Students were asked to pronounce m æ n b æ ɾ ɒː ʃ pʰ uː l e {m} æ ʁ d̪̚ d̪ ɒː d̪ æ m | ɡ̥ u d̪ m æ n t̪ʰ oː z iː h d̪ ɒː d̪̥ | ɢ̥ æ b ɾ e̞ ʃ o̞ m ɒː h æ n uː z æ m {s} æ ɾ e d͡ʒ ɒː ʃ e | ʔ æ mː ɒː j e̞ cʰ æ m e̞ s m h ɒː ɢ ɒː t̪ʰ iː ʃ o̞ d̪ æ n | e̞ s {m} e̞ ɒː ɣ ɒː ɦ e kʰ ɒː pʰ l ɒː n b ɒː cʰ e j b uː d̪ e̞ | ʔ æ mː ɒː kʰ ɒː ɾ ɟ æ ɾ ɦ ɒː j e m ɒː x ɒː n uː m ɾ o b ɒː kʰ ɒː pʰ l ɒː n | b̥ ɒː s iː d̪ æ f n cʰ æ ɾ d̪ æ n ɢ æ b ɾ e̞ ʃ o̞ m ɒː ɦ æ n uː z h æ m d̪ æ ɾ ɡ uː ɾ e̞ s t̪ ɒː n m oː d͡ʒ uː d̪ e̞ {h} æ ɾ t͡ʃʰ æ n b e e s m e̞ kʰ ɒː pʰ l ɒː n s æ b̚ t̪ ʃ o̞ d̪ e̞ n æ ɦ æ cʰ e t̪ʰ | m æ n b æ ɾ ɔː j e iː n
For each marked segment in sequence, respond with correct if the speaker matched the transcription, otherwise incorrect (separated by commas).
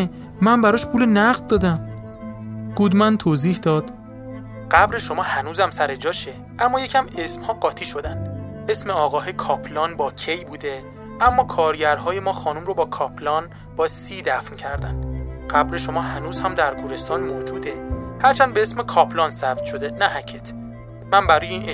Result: incorrect, correct, correct, correct